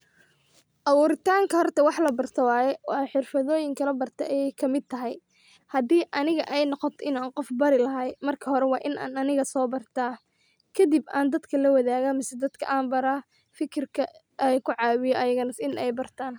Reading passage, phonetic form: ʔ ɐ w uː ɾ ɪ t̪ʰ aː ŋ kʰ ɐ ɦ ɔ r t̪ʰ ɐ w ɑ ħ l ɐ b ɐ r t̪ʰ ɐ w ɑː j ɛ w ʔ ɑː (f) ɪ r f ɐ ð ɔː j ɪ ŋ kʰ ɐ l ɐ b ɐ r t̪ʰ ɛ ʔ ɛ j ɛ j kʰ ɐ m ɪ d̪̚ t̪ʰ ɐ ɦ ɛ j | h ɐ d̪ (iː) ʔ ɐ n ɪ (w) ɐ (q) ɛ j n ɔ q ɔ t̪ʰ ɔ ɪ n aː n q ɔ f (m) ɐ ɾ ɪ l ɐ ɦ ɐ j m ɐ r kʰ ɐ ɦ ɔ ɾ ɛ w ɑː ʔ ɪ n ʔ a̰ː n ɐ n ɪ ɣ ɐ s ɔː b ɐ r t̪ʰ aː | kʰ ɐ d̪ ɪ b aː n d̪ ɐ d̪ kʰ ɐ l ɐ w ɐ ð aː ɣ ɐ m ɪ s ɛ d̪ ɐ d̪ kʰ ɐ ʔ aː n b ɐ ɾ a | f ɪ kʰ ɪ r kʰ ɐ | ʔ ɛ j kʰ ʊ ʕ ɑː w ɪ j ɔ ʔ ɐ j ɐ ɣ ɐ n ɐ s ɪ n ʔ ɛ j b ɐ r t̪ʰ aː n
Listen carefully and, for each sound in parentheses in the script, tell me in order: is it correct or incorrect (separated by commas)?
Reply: incorrect, correct, incorrect, incorrect, incorrect